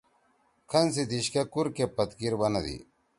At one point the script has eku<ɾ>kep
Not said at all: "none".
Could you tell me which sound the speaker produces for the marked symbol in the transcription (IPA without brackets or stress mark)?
ɾ